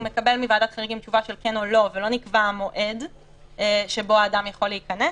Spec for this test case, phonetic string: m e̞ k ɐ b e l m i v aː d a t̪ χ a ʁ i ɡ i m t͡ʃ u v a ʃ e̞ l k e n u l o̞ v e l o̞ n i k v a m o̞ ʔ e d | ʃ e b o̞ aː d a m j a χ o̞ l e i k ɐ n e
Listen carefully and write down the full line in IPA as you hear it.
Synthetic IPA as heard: m e̞ k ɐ b e l m i v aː d a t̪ χ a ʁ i ɡ i m t͡ʃ u v a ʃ e̞ l k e n o l o̞ v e l o̞ n i k v a m o̞ ʔ e d | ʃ e b o̞ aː d a m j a χ o̞ l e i k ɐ n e